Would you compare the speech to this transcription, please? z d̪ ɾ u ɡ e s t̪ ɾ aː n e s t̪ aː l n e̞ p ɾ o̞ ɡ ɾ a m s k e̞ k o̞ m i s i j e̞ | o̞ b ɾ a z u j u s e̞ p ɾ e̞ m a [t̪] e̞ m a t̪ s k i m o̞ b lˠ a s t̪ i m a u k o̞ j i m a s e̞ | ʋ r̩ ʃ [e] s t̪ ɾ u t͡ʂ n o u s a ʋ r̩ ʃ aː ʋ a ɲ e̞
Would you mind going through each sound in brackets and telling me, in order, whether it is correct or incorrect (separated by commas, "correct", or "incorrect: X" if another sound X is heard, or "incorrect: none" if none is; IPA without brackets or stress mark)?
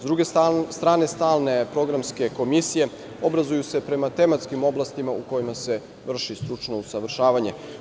correct, incorrect: i